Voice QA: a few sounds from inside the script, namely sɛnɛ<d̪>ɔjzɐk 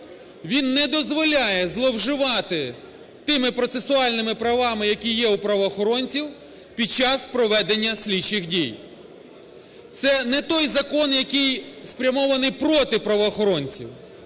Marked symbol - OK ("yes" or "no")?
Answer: no